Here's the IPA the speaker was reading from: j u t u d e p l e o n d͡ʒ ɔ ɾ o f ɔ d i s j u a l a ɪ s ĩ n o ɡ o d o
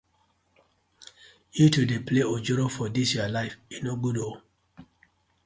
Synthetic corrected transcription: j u t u d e p l e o d͡ʒ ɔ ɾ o f ɔ d i s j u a l a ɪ f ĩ n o ɡ u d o